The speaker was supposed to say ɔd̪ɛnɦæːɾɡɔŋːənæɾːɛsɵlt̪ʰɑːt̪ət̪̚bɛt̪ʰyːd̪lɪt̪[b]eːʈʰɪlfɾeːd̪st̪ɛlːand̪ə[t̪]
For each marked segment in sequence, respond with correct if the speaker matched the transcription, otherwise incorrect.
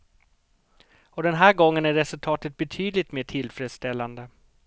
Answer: incorrect: m, incorrect: none

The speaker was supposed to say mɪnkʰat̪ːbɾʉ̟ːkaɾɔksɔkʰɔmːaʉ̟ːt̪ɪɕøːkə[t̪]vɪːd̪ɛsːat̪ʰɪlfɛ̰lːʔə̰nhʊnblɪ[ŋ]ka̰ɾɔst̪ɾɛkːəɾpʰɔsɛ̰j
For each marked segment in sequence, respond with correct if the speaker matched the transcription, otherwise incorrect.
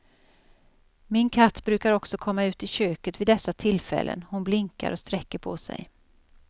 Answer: correct, correct

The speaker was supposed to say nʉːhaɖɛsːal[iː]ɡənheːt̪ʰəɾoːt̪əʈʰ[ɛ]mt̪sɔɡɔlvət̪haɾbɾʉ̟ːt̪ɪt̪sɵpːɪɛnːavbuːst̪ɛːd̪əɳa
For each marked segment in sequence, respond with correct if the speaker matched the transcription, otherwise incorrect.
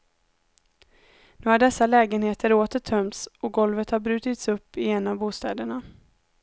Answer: incorrect: ɛː, incorrect: œ

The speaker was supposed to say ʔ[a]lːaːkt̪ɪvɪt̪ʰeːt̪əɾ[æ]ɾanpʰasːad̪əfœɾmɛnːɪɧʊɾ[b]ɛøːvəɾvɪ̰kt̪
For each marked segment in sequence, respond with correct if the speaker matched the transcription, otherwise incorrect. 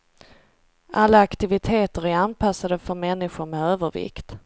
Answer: correct, correct, incorrect: m

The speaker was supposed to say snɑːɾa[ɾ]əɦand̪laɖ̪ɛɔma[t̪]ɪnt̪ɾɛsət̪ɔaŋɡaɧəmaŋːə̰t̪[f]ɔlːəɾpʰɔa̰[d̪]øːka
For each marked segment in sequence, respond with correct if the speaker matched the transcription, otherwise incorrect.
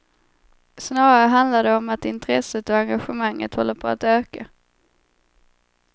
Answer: correct, correct, incorrect: h, incorrect: t̪

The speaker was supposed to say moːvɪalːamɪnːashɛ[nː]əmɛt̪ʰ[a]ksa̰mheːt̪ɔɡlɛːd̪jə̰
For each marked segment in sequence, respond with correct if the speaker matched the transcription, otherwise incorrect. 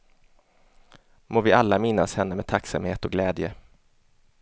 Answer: correct, correct

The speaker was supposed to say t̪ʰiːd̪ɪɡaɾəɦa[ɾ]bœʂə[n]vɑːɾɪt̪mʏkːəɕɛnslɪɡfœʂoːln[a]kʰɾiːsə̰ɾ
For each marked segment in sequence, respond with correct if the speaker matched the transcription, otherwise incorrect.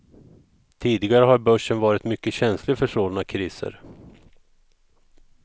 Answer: correct, correct, correct

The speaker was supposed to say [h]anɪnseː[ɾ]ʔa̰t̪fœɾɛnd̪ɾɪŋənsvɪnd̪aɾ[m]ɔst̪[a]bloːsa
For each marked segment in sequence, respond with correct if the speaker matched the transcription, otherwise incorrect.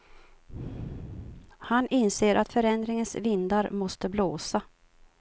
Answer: correct, correct, correct, incorrect: ə

